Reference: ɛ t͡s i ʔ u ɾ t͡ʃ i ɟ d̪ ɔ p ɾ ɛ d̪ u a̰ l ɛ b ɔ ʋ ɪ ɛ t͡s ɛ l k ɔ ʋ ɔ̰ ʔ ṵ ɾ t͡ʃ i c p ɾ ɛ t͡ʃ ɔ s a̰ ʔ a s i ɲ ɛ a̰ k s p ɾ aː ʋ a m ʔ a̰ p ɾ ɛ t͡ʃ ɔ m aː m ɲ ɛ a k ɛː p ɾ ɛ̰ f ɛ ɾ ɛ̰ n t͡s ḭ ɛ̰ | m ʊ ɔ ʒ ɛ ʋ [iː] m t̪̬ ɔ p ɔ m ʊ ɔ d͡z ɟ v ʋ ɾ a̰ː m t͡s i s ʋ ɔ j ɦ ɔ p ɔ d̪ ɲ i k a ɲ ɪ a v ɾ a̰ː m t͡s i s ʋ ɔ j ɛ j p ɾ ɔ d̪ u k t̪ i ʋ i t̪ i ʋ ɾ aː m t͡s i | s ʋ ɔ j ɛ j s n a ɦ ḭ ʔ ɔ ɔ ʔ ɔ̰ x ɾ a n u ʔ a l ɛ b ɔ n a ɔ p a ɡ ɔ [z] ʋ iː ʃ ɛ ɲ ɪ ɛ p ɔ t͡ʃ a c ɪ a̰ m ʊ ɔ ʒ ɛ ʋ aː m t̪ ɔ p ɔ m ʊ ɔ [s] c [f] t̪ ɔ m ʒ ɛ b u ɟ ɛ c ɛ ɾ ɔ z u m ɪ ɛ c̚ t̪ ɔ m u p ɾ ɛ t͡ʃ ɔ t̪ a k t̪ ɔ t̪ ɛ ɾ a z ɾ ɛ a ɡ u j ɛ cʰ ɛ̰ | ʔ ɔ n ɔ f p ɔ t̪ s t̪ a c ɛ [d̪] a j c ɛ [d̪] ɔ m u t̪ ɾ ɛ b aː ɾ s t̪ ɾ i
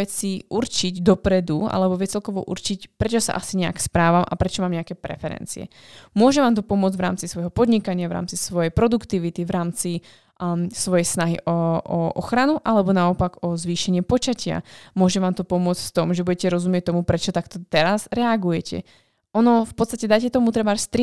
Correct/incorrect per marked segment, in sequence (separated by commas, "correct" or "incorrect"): incorrect, correct, incorrect, correct, correct, incorrect